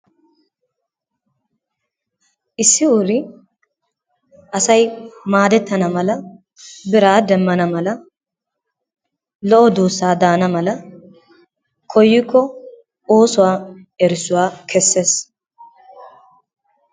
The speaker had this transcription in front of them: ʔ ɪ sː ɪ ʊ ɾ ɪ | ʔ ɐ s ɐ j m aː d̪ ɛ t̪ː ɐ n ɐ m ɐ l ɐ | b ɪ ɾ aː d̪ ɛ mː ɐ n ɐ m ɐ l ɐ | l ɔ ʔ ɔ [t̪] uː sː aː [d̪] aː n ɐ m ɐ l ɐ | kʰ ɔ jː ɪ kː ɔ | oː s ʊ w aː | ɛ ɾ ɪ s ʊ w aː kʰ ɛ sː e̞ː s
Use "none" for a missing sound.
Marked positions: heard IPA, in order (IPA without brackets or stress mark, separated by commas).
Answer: d̪, d̪